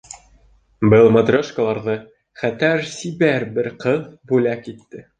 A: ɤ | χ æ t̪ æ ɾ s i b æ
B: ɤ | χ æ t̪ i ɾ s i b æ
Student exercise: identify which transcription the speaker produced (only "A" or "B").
A